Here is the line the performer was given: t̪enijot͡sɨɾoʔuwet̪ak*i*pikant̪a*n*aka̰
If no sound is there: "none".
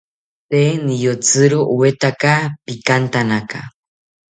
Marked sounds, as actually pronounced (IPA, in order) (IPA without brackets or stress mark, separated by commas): a, n